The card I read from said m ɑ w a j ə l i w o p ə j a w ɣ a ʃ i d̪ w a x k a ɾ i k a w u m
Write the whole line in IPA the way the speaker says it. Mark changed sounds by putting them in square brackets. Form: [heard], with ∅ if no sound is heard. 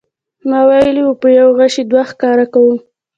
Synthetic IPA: m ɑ w a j ə l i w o p ə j a w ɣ a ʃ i d̪ w a x k [ɑ] ɾ [a] k a w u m